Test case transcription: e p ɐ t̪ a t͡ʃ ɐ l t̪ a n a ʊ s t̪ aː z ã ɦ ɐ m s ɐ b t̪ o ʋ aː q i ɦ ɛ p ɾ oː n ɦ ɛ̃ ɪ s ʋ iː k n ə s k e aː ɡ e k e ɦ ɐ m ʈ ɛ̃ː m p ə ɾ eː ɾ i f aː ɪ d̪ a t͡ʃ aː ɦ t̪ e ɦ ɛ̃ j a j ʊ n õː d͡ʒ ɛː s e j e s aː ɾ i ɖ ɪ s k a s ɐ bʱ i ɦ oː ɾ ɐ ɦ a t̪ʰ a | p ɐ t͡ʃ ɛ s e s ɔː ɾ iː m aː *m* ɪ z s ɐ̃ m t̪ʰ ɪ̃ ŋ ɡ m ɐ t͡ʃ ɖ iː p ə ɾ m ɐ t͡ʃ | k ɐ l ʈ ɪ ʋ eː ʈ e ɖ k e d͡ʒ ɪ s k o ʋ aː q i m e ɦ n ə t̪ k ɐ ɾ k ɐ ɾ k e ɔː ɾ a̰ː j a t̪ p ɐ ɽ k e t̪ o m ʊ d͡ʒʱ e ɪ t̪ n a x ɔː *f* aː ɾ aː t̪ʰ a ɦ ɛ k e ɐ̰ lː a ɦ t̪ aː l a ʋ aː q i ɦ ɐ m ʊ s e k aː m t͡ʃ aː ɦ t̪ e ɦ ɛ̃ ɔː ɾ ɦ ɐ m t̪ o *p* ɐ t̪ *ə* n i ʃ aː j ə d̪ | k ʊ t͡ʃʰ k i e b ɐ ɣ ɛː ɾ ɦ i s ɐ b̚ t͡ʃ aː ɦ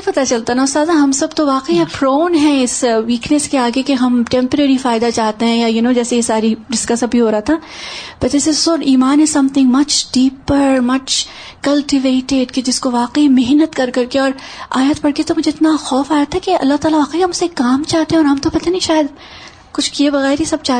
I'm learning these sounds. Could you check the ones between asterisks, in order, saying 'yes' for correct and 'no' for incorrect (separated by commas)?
no, yes, yes, no